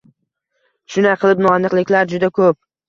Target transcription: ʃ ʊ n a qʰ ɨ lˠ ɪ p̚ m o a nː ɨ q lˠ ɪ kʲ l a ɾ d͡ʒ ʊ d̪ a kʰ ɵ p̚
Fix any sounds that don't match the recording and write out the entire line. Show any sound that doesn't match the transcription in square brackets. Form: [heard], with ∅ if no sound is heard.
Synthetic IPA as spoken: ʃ ʊ n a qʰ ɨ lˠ ɪ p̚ [n] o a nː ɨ q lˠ ɪ kʲ l a ɾ d͡ʒ ʊ d̪ a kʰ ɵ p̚